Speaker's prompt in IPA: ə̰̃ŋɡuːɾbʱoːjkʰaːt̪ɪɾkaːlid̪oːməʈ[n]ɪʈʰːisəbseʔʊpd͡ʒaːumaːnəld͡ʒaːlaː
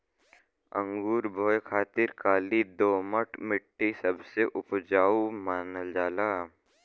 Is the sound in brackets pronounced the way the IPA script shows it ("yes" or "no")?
no